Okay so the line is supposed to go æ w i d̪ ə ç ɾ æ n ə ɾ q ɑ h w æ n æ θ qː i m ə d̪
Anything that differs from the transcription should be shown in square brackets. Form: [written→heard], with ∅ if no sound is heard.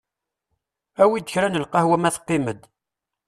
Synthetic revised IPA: æ w i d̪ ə ç ɾ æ n ə [ɾ→l] q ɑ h w æ [n→m] æ θ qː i m ə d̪